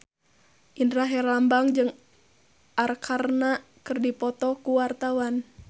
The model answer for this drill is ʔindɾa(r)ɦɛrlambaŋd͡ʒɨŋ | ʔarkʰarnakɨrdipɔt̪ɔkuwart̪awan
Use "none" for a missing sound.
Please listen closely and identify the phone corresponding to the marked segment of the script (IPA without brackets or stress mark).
none